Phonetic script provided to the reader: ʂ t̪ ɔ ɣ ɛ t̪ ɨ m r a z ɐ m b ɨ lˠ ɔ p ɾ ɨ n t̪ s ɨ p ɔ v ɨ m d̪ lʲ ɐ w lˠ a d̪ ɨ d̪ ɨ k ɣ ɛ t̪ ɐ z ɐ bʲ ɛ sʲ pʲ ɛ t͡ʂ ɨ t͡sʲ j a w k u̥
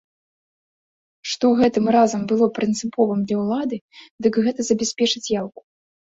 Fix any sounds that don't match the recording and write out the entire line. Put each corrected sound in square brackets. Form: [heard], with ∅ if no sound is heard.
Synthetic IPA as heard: ʂ t̪ ɔ ɣ ɛ t̪ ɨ m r a z ɐ m b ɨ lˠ ɔ p ɾ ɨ n t̪ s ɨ p ɔ v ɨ m d̪ lʲ ɐ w lˠ a d̪ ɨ d̪ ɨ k ɣ ɛ t̪ ɐ z ɐ bʲ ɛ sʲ pʲ ɛ t͡ʂ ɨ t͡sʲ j a w k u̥